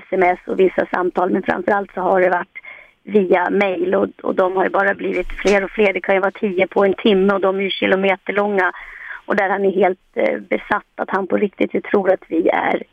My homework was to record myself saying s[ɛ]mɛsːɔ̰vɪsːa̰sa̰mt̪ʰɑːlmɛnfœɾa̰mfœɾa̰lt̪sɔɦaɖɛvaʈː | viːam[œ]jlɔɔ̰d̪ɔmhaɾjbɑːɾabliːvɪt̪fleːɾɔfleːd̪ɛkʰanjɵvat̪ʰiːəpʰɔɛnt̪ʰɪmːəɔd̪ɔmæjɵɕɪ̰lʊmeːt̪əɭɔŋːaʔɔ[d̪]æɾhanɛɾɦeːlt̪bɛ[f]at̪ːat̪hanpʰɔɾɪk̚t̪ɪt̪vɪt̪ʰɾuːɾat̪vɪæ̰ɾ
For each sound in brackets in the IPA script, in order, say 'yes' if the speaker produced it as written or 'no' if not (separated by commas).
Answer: yes, no, yes, no